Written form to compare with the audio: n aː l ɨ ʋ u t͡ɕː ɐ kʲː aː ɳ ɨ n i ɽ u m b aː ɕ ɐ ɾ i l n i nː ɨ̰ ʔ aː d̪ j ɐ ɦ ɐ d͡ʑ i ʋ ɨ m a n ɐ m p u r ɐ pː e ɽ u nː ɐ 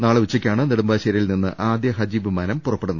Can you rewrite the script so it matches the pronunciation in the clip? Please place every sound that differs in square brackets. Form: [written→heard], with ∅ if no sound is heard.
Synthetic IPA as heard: n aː [l→ɭ] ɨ ʋ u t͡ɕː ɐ kʲː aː ɳ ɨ n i ɽ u m b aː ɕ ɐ ɾ i l n i nː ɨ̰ ʔ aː d̪ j ɐ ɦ ɐ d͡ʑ i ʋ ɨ m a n ɐ m p u r ɐ pː e ɽ u nː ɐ